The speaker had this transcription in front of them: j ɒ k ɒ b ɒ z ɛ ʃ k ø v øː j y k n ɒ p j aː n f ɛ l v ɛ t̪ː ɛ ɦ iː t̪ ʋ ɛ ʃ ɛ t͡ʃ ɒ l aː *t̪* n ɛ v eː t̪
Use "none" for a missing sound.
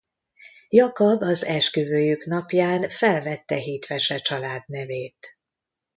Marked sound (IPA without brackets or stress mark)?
d̪